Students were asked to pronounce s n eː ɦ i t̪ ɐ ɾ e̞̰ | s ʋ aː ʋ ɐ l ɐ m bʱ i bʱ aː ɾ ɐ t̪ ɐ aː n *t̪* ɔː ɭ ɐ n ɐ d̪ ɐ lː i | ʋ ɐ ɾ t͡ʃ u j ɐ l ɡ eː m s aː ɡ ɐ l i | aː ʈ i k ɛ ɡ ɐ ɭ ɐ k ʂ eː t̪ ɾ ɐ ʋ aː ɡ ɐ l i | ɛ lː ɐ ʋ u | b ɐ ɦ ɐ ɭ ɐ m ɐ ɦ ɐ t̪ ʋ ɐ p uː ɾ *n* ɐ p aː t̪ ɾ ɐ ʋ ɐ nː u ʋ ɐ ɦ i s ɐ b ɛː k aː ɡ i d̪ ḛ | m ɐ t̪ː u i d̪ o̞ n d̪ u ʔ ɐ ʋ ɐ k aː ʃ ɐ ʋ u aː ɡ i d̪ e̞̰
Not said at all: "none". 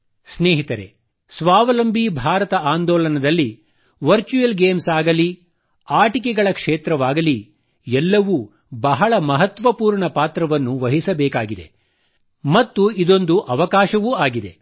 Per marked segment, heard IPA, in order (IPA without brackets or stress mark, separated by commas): d̪, ɳ